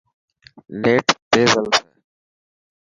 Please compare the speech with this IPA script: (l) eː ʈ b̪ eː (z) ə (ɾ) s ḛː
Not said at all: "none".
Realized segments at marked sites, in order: l, z, l

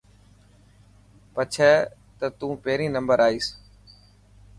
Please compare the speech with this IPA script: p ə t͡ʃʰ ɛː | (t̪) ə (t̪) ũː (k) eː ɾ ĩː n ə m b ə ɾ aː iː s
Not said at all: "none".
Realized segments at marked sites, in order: t̪, t̪, p

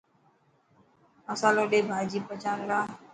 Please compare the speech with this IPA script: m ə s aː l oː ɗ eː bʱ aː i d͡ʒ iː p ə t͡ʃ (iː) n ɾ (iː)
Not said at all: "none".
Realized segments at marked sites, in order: aː, aː

